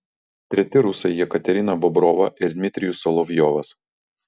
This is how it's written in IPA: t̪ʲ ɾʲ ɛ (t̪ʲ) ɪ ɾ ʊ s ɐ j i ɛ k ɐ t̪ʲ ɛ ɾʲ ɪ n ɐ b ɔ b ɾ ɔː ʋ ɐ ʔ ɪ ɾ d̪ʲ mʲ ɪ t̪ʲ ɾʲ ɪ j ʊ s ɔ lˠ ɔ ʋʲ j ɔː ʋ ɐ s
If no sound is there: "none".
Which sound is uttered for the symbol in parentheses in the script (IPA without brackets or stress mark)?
t̪ʲ